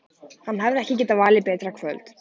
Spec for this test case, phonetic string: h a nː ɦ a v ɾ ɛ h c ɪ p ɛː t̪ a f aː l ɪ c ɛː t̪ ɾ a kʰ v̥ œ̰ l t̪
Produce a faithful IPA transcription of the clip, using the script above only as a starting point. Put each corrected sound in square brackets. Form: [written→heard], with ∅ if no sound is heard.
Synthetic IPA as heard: h a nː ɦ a v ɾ ɛ h c ɪ [p→c] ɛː t̪ a [f→v] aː l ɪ [c→p] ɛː t̪ ɾ a kʰ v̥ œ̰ l t̪